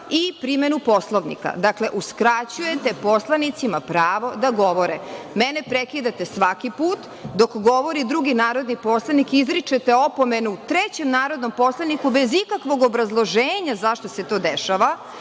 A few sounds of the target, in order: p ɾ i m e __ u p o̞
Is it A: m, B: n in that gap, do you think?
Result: B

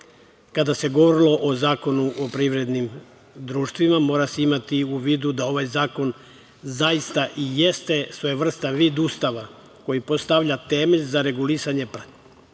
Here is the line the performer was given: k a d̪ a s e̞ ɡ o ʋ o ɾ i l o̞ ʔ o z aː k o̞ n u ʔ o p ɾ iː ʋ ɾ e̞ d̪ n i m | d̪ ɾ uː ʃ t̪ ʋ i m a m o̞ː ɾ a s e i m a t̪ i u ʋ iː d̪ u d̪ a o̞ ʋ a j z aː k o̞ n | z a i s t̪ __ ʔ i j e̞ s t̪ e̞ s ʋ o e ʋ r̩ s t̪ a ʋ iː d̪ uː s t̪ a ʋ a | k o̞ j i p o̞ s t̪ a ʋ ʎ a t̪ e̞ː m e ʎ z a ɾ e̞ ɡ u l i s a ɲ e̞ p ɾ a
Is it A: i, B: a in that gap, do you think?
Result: B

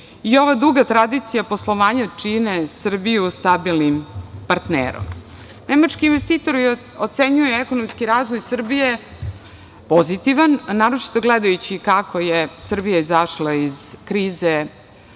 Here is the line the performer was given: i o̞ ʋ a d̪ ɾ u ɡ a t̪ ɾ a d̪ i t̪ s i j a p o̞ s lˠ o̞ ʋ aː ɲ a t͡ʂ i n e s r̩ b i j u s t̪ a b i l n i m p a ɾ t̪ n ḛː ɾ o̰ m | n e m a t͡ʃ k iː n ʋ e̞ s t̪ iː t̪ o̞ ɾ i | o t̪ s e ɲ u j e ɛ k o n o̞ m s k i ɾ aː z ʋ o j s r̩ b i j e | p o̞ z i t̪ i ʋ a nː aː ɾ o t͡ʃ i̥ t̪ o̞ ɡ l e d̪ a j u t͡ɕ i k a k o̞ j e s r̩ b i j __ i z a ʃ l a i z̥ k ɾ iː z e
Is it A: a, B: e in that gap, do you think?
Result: A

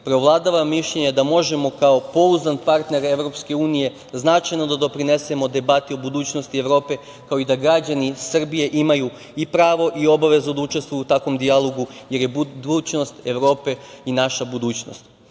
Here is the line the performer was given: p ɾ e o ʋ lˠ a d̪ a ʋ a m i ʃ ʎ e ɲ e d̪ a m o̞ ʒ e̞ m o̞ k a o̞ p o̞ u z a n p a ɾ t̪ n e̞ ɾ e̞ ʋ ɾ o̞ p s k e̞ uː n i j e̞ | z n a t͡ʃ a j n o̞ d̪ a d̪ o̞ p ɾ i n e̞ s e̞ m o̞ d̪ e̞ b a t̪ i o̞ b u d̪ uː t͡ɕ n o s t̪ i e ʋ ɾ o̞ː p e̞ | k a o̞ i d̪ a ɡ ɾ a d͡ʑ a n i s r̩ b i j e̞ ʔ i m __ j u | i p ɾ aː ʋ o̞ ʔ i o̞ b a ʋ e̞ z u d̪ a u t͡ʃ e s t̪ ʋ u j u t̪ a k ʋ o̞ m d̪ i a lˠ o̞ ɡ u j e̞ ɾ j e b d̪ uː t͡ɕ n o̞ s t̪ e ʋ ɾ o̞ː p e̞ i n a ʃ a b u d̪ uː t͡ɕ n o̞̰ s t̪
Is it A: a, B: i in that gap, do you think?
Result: A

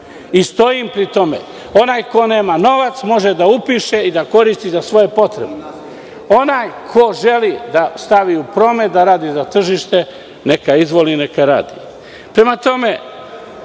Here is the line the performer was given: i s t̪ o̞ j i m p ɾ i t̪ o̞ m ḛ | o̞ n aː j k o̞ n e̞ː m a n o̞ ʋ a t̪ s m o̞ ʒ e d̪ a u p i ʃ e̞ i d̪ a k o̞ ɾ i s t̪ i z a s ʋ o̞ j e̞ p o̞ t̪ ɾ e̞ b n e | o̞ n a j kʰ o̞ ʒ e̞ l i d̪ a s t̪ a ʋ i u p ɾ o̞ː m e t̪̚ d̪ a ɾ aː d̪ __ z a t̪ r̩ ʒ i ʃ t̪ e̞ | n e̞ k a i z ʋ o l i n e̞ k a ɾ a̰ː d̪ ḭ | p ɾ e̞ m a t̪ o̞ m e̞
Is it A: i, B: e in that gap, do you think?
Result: A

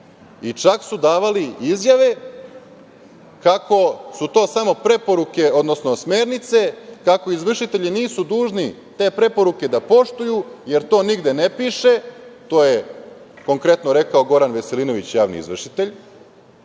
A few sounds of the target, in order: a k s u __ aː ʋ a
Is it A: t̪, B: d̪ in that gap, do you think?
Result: B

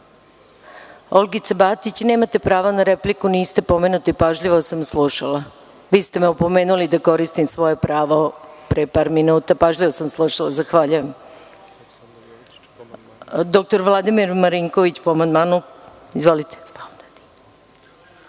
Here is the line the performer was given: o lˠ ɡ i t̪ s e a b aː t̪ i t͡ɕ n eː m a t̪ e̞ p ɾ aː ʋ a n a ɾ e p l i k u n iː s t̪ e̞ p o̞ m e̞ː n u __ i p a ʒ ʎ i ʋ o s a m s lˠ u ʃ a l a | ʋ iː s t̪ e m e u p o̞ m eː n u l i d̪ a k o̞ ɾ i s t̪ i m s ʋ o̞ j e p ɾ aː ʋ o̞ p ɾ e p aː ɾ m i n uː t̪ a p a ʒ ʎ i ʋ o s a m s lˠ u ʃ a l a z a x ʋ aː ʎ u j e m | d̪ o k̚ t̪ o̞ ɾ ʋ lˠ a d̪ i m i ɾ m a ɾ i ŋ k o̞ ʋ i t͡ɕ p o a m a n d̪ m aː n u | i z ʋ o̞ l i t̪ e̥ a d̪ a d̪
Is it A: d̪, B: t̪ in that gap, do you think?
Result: B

